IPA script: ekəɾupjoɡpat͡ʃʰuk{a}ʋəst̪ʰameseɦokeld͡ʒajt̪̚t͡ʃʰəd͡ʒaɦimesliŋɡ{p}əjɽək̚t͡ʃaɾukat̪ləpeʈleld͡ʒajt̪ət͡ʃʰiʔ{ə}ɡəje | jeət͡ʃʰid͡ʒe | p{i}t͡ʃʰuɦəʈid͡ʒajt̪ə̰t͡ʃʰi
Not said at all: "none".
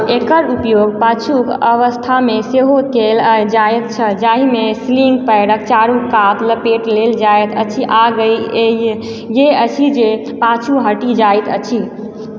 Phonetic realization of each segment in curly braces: ə, p, a, a

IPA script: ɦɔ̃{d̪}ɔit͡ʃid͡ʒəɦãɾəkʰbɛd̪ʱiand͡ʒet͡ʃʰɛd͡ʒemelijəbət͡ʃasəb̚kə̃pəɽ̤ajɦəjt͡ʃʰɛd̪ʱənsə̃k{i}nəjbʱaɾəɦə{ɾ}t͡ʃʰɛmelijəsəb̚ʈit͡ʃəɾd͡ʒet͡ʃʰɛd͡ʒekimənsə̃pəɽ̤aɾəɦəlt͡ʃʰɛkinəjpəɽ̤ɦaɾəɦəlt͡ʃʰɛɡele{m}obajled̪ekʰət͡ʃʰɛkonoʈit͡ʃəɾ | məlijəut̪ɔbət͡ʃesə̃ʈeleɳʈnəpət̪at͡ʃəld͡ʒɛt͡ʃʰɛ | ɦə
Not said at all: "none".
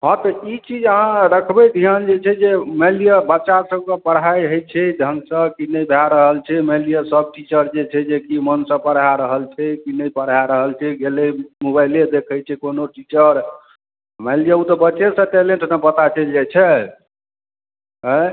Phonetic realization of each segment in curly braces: t̪, i, l, m

